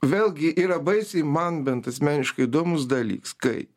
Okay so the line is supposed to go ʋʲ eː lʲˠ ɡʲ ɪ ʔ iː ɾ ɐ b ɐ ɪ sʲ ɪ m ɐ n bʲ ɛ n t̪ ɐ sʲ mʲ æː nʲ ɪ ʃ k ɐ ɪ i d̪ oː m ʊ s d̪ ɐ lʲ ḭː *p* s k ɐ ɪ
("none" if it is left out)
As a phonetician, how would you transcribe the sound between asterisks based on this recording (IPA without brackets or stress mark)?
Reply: k